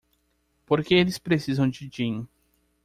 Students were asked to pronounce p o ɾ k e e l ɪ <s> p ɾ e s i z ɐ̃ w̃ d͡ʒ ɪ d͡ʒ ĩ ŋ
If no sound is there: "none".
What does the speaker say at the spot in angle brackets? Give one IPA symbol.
s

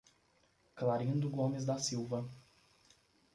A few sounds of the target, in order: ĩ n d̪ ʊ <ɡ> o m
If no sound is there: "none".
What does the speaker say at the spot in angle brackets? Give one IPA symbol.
ɡ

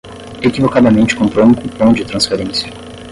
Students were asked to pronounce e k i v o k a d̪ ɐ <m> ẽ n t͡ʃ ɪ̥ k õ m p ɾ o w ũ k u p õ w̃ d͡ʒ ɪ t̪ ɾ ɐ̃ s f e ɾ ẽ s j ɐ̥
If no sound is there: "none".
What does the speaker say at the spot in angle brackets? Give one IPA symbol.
m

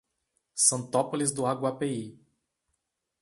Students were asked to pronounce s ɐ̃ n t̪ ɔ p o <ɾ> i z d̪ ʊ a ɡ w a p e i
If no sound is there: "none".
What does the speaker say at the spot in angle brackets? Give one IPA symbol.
l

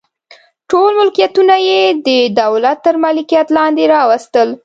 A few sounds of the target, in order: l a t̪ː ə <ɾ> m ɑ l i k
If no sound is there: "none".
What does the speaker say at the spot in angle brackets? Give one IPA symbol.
ɾ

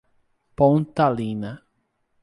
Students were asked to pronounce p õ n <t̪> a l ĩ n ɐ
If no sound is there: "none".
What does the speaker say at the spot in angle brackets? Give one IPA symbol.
t̪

